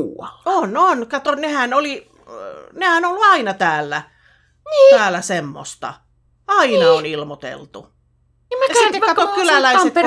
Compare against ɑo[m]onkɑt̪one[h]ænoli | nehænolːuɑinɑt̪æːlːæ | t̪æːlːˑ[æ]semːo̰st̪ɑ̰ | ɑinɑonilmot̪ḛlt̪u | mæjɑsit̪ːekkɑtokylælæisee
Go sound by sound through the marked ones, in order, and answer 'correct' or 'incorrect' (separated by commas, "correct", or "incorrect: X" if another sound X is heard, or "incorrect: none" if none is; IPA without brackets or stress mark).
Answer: incorrect: n, correct, correct